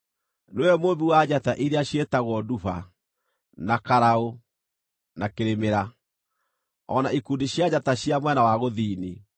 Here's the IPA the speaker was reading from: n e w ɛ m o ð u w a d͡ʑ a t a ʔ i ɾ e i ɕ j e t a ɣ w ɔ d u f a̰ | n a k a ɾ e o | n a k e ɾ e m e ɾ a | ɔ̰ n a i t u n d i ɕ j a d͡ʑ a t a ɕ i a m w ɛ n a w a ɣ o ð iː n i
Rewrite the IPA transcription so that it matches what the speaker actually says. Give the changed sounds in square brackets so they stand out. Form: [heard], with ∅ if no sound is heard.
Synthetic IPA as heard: n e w ɛ m o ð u w a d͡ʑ a t a ʔ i ɾ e [a] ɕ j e t a ɣ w ɔ d u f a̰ | n a k a ɾ [a] o | n a k e ɾ e m e ɾ a | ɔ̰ n a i [k] u n d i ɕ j a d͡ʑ a t a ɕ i a m w ɛ n a w a ɣ o ð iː n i

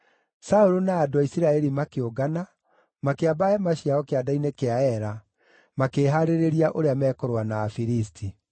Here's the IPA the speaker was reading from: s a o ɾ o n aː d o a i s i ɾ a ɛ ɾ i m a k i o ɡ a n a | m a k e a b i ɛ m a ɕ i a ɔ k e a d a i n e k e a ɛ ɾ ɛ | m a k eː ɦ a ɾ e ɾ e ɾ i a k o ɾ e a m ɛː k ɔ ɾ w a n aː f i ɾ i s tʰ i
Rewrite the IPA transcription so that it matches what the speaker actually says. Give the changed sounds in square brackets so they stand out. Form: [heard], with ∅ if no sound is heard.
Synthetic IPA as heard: s a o ɾ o n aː d o a i s i ɾ a ɛ ɾ i m a k [e] o ɡ a n a | m a k e a b [a] ɛ m a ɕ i a ɔ k e a d a i n e k e a ɛ ɾ [a] | m a k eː ɦ a ɾ e ɾ e ɾ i a [ʔ] o ɾ e a m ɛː k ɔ ɾ w a n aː f i ɾ i s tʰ i

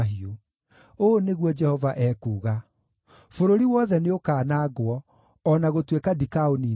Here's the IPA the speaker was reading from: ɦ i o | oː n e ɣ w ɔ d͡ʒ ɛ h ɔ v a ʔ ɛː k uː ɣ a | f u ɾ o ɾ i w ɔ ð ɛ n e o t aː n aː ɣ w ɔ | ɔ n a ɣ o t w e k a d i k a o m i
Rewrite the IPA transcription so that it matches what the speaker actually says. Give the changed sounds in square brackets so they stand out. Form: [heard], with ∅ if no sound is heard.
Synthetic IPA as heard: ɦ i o | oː n e ɣ w ɔ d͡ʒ ɛ h ɔ v a ʔ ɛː k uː ɣ a | f [o] ɾ o ɾ i w ɔ ð ɛ n e o [k] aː n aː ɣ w ɔ | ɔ n a ɣ o t w e k a d i k a o [n] i

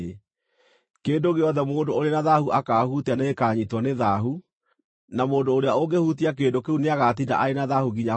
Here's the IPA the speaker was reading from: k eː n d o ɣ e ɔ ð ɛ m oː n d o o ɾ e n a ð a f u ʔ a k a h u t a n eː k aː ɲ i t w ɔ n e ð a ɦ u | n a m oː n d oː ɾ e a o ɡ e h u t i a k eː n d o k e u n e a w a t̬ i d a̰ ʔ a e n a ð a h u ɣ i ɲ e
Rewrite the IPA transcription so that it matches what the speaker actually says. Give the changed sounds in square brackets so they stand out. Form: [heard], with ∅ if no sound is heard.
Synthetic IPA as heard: k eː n d o ɣ e ɔ ð ɛ m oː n d o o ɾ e n a ð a [h] u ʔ a k a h u t a n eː k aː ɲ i t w ɔ n e ð a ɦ u | n a m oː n d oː ɾ e a o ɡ e h u t i a k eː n d o k e u n e a [ɣ] a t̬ i d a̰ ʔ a e n a ð a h u ɣ i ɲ [a]

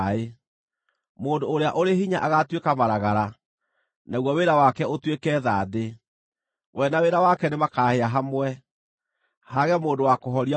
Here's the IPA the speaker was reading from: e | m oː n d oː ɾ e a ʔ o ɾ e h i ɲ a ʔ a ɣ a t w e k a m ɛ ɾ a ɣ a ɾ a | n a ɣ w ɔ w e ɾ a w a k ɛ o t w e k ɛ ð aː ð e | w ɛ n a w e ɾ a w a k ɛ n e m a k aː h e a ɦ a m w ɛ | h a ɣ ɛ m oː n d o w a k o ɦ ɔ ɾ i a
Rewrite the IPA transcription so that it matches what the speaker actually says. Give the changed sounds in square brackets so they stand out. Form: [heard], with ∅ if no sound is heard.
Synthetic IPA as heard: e | m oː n d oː ɾ e a ʔ o ɾ e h i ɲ a ʔ a ɣ a t w e k a m [a] ɾ a ɣ a ɾ a | n a ɣ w ɔ w e ɾ a w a k ɛ o t w e k ɛ ð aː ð e | w ɛ n a w e ɾ a w a k ɛ n e m a k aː h e a ɦ a m w ɛ | h a ɣ ɛ m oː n d o w a k o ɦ ɔ ɾ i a

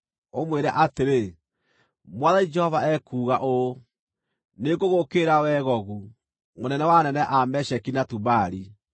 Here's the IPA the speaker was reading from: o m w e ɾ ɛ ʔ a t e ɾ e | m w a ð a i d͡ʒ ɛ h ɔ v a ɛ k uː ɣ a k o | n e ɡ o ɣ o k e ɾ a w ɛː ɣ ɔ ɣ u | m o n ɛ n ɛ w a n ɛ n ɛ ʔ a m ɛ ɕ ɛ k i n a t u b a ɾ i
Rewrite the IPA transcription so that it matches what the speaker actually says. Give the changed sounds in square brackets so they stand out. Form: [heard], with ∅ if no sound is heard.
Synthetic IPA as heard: o m w e ɾ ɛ ʔ a t e ɾ e | m w a ð a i d͡ʒ ɛ h ɔ v a ɛ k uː ɣ a [ʔ] o | n e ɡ o ɣ o k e ɾ a w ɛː ɣ ɔ ɣ u | m o n ɛ n ɛ w a n ɛ n ɛ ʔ a m ɛ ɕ ɛ k i n a t u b a ɾ i

